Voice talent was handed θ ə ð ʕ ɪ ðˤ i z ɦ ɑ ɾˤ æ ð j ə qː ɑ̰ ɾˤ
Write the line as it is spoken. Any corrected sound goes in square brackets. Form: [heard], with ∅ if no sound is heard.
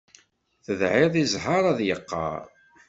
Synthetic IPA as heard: θ ə ð ʕ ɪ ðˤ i z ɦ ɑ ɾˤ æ ð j ə qː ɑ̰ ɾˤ